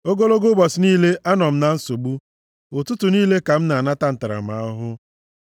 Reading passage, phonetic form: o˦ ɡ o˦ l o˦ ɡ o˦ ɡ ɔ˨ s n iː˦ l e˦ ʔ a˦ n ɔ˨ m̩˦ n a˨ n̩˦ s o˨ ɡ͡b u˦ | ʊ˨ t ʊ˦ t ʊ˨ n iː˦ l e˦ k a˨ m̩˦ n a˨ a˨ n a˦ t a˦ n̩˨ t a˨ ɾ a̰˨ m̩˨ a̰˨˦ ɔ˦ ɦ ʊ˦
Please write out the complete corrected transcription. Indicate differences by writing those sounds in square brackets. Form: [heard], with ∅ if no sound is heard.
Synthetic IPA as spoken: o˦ ɡ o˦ l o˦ ɡ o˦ [b] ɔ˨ s n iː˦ l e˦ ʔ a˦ n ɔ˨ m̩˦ n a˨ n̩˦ s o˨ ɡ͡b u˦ | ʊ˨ t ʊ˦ t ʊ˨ n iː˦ l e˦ k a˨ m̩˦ n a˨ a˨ n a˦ t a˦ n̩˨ t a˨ ɾ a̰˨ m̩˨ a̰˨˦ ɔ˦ ɦ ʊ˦